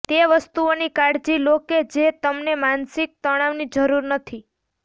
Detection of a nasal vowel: absent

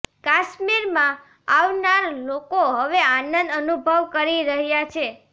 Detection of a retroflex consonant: absent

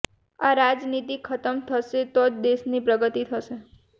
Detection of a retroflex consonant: absent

